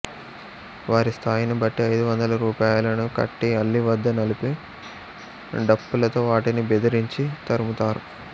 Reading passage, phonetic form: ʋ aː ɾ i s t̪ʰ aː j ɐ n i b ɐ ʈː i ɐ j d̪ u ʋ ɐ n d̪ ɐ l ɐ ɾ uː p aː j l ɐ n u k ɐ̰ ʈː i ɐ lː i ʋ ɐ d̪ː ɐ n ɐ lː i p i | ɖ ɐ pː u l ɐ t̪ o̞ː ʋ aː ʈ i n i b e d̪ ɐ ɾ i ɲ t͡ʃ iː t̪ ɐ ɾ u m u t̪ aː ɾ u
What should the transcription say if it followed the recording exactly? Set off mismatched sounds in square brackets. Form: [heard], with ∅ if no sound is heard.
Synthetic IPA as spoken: ʋ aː ɾ i s t̪ʰ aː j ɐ n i b ɐ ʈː i ɐ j d̪ u ʋ ɐ n d̪ ɐ l ɐ ɾ uː p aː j l ɐ n u k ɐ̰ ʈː i ɐ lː i ʋ ɐ d̪ː ɐ n ɐ [l] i p i | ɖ ɐ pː u l ɐ t̪ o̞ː ʋ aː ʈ i n i b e d̪ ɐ ɾ i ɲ t͡ʃ [i] t̪ ɐ ɾ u m u t̪ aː ɾ u